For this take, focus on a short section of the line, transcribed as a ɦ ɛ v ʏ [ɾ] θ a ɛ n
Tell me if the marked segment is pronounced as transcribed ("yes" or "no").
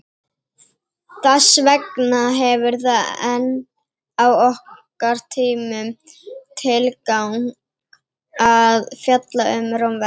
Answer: yes